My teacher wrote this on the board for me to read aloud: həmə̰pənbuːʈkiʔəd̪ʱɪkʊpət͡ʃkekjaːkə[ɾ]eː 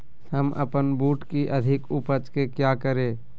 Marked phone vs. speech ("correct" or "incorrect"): correct